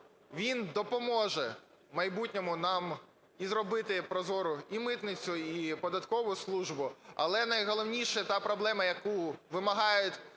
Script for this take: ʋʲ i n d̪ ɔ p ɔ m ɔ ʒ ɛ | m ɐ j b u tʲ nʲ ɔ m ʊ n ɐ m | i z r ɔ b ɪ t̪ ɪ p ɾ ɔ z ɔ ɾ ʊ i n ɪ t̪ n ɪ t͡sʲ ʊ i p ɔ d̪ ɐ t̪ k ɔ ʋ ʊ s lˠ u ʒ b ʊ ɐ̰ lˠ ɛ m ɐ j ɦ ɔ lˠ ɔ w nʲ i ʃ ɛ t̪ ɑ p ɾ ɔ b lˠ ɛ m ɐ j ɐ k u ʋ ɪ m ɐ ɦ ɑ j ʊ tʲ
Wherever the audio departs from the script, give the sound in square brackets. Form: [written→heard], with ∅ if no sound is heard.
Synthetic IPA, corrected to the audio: ʋʲ i n d̪ ɔ p ɔ m ɔ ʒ ɛ | m ɐ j b u tʲ nʲ ɔ m ʊ n [ɐ→ɑ] m | i z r ɔ b ɪ t̪ ɪ p ɾ ɔ z ɔ ɾ ʊ i [n→m] ɪ t̪ n ɪ t͡sʲ ʊ i p ɔ d̪ ɐ t̪ k ɔ ʋ ʊ s lˠ u ʒ b ʊ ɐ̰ lˠ ɛ [m→n] ɐ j ɦ ɔ lˠ ɔ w nʲ i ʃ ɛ t̪ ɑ p ɾ ɔ b lˠ ɛ m ɐ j ɐ k u ʋ ɪ m ɐ ɦ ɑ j ʊ tʲ